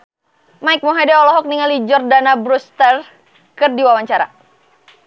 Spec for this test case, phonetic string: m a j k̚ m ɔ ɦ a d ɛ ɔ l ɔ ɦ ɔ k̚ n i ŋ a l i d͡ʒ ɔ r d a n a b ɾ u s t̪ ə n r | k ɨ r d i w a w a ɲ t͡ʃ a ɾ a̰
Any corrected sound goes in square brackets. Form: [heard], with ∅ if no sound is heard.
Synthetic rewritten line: m a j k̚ m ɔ ɦ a d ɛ ɔ l ɔ ɦ ɔ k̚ n i ŋ a l i d͡ʒ ɔ r d a n a b ɾ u s t̪ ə [∅] r | k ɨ r d i w a w a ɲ t͡ʃ a ɾ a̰